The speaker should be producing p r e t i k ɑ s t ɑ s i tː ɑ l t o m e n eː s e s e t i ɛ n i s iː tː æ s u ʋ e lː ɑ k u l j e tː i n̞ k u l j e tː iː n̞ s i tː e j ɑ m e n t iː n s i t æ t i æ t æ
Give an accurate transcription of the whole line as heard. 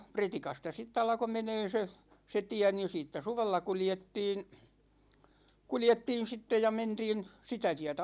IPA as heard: p r e t i k ɑ s t ɑ s i tː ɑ l k o m e n eː s e s e t i æ n i s iː tː æ s u ʋ e lː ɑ k u l j e tː iː n̞ k u l j e tː iː n̞ s i tː e j ɑ m e n t iː n s i t æ t i æ t æ